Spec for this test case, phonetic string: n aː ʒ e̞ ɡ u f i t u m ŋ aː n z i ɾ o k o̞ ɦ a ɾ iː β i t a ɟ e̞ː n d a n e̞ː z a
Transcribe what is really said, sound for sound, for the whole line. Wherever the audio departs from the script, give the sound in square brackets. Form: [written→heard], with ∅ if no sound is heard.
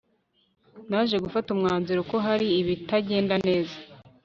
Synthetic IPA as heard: n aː ʒ e̞ ɡ u f [i→a] t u m ŋ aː n z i ɾ o k o̞ ɦ a ɾ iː β i t a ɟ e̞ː n d a n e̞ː z a

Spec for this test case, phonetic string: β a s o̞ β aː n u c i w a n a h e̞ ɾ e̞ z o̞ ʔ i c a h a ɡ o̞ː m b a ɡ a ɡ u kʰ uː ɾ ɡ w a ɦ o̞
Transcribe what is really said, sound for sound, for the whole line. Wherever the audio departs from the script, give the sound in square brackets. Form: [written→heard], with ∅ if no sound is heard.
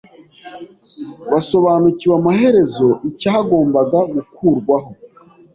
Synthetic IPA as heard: β a s o̞ β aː n u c i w a [n→m] a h e̞ ɾ e̞ z o̞ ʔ i c a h a ɡ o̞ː m b a ɡ a ɡ u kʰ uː ɾ ɡ w a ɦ o̞

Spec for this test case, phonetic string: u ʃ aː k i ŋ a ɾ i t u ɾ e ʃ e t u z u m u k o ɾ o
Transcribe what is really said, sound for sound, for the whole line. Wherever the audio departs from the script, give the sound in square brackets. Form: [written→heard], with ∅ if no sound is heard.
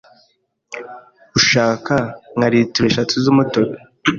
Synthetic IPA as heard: u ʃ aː k [i→a] ŋ a ɾ i t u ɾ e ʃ [e→a] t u z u m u [k→t] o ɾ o

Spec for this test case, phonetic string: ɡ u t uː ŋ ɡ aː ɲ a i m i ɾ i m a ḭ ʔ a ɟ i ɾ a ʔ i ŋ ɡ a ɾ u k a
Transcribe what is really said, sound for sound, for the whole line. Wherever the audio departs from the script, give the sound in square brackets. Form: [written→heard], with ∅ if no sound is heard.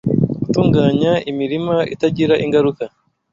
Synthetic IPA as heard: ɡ u t uː ŋ ɡ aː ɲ a i m i ɾ i m a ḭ [ʔ→t] a ɟ i ɾ a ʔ i ŋ ɡ a ɾ u k a

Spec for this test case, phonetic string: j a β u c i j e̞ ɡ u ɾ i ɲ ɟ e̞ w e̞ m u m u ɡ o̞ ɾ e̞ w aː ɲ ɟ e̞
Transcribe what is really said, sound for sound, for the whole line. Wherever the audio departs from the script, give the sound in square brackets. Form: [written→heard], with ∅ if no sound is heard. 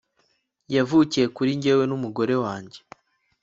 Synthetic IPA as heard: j a [β→v] u c i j e̞ [ɡ→k] u ɾ i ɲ ɟ e̞ w e̞ [m→n] u m u ɡ o̞ ɾ e̞ w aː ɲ ɟ e̞

